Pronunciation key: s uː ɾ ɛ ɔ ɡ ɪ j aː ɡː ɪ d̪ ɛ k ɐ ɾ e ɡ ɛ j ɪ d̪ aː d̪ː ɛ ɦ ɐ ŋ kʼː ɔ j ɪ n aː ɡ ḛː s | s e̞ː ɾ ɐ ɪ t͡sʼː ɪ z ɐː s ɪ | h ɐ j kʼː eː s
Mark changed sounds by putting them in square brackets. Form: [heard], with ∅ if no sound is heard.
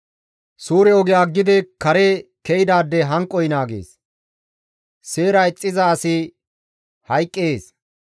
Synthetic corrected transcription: s uː ɾ ɛ ɔ ɡ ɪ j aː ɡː ɪ d̪ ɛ k ɐ ɾ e [k] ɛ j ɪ d̪ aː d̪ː ɛ ɦ ɐ ŋ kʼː ɔ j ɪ n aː ɡ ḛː s | s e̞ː ɾ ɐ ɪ t͡sʼː ɪ z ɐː s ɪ | h ɐ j kʼː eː s